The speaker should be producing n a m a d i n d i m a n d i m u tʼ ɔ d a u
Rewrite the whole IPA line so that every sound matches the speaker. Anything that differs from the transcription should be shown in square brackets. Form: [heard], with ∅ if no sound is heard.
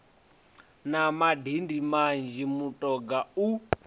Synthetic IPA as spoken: n a m a d i n d i m a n [d͡ʒ] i m u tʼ ɔ [ɡ] a u